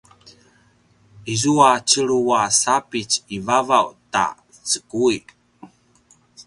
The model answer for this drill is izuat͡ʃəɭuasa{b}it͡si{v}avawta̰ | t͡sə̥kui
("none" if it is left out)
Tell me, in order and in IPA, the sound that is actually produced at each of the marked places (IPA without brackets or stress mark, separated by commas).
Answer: p, v